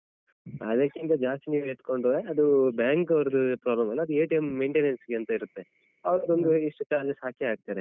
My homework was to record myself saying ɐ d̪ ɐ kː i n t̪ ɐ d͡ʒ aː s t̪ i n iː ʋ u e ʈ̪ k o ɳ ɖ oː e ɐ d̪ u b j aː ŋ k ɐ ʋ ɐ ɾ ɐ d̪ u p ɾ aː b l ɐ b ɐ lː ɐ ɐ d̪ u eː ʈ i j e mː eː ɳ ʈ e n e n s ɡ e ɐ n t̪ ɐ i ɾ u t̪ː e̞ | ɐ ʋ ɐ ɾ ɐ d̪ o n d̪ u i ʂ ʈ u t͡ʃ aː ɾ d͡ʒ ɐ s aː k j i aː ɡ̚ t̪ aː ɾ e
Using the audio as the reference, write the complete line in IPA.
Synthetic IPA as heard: ɐ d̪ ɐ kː i n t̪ ɐ d͡ʒ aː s t̪ i n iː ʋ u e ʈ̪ k o ɳ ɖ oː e ɐ d̪ u b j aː ŋ k ɐ ʋ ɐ ɾ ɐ d̪ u p ɾ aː b l ɐ m ɐ lː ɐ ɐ d̪ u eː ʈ i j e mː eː ɳ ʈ e n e n s ɡ e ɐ n t̪ ɐ i ɾ u t̪ː e̞ | ɐ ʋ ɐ ɾ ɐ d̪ o n d̪ u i ʂ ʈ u t͡ʃ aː ɾ d͡ʒ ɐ s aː k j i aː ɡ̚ t̪ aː ɾ e